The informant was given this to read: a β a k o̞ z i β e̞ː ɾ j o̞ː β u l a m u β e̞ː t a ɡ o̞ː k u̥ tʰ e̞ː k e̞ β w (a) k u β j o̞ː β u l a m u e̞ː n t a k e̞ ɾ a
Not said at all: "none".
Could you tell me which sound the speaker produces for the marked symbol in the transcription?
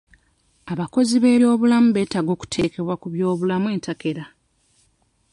a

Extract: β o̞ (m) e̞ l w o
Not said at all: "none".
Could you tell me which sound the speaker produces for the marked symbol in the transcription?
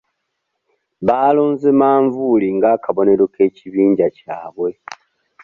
n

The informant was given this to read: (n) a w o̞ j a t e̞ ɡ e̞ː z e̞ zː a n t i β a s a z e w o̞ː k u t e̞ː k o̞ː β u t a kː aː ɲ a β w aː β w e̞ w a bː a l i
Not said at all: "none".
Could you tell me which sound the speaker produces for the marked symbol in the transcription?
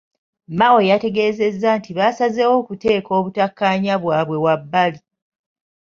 m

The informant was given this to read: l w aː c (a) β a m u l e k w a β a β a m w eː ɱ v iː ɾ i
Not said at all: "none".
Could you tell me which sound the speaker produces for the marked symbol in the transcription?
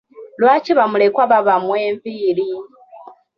i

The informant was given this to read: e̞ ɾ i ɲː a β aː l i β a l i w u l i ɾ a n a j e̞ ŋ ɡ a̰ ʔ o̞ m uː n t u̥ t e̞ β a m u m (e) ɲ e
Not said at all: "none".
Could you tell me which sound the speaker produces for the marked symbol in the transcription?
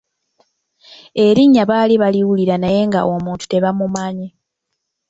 a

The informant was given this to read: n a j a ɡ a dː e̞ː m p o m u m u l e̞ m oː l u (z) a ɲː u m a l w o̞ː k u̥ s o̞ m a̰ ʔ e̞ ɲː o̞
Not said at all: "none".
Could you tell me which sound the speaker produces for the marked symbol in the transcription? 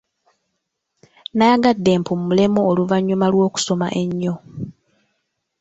v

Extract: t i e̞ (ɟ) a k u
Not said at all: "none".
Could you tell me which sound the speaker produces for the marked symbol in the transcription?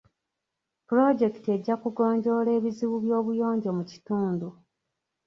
ɟː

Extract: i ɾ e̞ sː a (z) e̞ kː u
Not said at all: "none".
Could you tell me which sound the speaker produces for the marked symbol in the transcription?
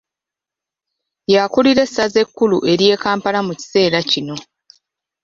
z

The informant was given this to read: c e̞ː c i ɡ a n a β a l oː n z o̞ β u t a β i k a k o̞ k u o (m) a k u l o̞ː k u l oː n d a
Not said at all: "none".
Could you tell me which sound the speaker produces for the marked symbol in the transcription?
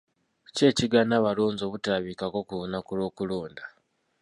n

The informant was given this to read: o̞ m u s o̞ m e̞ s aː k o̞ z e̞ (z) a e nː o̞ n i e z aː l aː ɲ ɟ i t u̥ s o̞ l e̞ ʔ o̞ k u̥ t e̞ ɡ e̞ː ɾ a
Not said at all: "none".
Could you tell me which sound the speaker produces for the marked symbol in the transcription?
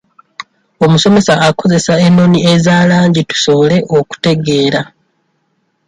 s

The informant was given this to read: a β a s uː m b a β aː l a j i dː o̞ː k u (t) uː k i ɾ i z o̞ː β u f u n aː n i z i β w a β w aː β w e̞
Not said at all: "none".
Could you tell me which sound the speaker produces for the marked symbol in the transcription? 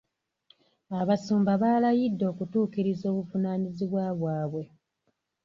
t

